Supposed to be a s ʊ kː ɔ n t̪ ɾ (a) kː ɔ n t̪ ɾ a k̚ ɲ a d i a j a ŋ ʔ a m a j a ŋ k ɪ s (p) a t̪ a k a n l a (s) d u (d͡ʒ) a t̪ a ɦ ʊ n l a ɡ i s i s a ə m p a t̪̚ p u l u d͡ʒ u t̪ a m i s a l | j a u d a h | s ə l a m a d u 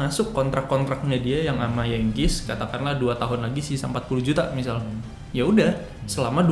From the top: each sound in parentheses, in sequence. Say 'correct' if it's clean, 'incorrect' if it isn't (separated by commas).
correct, incorrect, incorrect, incorrect